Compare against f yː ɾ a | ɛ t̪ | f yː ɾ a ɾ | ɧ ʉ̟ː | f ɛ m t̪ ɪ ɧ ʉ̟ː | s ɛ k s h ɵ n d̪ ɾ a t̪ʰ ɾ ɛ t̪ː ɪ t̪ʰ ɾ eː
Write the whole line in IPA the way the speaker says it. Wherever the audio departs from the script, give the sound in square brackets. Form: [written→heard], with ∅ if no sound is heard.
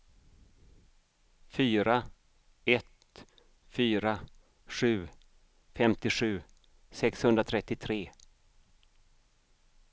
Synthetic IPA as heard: f yː ɾ a | ɛ t̪ | f yː ɾ a [ɾ→∅] | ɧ ʉ̟ː | f ɛ m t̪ ɪ ɧ ʉ̟ː | s ɛ k s h ɵ n d̪ ɾ a t̪ʰ ɾ ɛ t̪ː ɪ t̪ʰ ɾ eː